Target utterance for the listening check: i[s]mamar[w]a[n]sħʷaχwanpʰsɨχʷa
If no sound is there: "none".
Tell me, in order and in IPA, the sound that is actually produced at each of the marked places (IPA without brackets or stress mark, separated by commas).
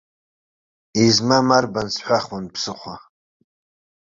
z, b, n